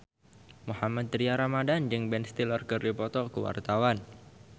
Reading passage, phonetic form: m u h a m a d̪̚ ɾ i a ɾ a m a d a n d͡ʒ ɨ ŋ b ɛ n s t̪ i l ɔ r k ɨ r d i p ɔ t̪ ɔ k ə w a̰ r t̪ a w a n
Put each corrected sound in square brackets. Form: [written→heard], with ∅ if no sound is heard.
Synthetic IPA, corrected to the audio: m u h a m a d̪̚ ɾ i a ɾ a m a d a n d͡ʒ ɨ ŋ b ɛ n s t̪ i l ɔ r k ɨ r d i p ɔ t̪ ɔ k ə w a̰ r t̪ a w a n